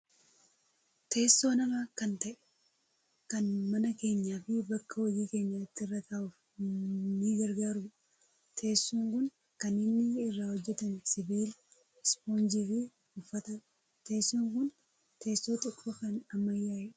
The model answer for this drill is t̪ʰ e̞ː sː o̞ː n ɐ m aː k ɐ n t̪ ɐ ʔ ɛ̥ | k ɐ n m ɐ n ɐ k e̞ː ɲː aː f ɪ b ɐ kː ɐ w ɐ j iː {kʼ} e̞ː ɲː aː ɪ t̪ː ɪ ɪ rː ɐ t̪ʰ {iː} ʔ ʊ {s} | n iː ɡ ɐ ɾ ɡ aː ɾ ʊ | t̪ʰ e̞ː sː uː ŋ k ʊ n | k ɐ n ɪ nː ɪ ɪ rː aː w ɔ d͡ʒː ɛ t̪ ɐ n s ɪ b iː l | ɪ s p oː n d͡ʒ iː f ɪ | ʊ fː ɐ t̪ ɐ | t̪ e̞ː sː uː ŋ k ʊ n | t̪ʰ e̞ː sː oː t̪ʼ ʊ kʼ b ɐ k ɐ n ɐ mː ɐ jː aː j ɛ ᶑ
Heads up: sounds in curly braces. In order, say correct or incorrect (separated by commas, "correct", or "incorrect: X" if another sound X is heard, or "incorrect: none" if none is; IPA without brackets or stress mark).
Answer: incorrect: k, incorrect: aː, incorrect: f